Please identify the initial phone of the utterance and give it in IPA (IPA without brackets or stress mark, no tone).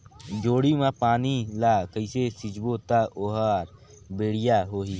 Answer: d͡ʒ